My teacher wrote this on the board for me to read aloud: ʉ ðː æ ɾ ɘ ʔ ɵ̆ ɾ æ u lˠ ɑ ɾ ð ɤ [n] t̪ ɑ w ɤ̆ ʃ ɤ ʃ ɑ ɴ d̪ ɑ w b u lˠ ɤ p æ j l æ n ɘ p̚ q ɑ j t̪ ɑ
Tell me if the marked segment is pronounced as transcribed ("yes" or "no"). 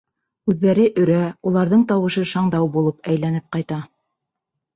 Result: no